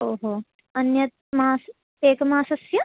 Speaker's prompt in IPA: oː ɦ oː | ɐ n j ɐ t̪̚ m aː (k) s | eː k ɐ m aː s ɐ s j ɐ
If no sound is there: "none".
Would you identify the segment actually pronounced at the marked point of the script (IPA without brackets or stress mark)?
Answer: none